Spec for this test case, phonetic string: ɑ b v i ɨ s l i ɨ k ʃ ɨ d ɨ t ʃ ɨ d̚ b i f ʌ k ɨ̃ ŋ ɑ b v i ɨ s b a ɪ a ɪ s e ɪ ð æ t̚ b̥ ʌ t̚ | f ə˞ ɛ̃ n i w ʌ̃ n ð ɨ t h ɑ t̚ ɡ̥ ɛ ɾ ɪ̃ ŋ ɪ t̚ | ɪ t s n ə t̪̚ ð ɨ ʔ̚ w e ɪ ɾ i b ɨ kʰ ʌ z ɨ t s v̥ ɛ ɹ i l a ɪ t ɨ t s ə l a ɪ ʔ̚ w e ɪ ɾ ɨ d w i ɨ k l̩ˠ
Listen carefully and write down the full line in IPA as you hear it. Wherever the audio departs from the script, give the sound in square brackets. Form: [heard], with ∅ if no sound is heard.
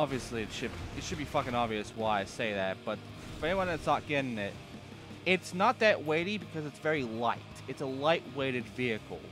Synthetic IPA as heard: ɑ b v i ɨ s l i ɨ [t] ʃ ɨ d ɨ t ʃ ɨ d̚ b i f ʌ k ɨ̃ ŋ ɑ b v i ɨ s [w] a ɪ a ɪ s e ɪ ð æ t̚ b̥ ʌ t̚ | f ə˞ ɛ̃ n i w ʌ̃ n ð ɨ t [s] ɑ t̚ ɡ̥ ɛ ɾ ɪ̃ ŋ ɪ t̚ | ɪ t s n ə t̪̚ ð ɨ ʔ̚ w e ɪ ɾ i b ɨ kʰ ʌ z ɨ t s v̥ ɛ ɹ i l a ɪ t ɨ t s ə l a ɪ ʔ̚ w e ɪ ɾ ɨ d [v] i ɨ k l̩ˠ